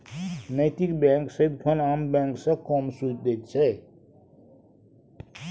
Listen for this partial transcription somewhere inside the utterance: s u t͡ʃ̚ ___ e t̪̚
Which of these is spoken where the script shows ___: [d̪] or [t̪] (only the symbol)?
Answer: d̪